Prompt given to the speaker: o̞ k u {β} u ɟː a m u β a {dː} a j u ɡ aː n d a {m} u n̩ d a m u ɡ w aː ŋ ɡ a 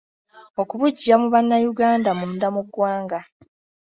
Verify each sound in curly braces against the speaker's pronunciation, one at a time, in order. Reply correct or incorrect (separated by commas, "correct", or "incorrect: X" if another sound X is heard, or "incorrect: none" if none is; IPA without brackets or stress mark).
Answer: correct, incorrect: nː, correct